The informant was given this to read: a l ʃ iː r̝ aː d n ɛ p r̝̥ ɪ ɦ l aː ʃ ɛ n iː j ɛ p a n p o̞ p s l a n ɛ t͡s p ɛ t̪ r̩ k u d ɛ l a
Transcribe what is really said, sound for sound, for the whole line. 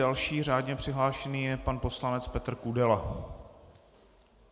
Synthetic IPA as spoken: a l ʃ iː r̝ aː d ɲ ɛ p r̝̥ ɪ ɦ l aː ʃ ɛ n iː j ɛ p a n p o̞ s l a n ɛ t͡s p ɛ t̪ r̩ k u d ɛ l a